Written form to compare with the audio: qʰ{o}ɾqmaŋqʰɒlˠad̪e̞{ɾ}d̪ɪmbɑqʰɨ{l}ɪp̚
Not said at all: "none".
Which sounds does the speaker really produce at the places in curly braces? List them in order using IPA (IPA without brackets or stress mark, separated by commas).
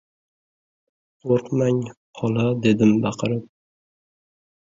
o, none, ɾ